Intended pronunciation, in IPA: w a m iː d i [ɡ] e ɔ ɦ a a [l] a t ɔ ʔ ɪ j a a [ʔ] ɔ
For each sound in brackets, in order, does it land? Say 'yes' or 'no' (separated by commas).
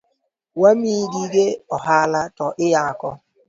yes, yes, no